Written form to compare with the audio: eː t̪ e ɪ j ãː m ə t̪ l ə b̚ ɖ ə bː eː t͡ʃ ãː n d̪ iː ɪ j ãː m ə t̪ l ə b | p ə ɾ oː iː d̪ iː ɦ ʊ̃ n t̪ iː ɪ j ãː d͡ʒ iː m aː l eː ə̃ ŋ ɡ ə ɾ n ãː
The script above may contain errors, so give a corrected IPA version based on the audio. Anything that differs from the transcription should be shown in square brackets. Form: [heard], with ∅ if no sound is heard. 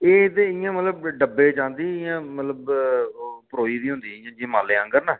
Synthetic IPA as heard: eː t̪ e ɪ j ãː m ə t̪ l ə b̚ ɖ ə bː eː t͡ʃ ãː n d̪ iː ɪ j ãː m ə t̪ l ə b | p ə ɾ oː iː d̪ iː ɦ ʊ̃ n [d̪] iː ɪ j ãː d͡ʒ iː m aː l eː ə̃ ŋ ɡ ə ɾ n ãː